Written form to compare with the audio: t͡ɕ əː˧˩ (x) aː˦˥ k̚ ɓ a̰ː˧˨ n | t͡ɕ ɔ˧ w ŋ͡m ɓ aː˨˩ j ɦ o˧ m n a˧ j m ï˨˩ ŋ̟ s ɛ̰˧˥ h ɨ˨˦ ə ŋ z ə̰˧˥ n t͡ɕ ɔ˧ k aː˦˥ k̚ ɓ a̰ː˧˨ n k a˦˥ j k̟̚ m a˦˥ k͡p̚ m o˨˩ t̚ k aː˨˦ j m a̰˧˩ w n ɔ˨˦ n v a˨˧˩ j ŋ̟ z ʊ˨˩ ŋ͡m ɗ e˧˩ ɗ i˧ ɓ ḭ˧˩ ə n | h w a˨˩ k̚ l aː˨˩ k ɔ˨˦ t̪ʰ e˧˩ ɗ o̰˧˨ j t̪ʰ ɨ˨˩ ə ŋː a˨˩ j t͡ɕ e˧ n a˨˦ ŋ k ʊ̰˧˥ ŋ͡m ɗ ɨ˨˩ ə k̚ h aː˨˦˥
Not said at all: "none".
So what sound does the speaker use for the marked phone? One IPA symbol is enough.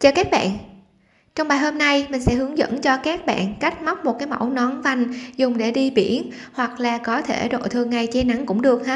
k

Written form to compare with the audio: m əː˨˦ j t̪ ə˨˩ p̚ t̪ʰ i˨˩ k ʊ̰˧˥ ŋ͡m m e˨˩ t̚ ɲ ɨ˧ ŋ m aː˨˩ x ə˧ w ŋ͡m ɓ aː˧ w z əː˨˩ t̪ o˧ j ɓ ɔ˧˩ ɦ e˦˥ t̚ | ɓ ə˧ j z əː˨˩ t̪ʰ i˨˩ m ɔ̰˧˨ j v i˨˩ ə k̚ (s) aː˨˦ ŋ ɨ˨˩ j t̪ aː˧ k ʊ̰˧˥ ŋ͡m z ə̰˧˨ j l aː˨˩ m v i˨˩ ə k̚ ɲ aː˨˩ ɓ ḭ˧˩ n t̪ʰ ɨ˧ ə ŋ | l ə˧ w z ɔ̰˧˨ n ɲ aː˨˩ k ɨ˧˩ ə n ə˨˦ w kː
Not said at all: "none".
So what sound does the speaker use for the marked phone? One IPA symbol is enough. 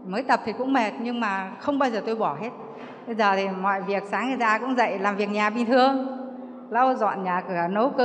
s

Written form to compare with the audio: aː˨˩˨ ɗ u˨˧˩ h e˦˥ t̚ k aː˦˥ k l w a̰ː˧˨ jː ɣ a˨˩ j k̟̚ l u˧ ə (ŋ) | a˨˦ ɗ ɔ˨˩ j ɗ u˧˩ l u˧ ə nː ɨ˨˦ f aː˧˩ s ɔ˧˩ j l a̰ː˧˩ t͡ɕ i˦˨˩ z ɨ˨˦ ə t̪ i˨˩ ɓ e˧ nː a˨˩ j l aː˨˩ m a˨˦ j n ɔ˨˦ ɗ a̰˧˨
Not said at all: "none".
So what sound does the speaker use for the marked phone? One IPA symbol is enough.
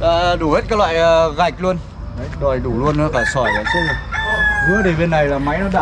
n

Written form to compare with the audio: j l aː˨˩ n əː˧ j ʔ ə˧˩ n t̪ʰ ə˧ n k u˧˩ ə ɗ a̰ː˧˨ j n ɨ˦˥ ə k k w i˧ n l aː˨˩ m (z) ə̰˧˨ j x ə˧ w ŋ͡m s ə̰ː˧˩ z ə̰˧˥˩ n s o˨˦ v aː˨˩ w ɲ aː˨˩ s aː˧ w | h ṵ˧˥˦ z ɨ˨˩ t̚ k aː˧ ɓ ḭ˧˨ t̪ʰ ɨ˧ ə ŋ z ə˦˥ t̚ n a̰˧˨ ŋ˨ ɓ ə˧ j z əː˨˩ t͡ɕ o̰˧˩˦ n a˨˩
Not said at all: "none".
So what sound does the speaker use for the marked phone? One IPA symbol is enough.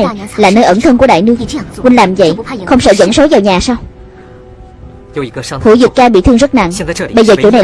z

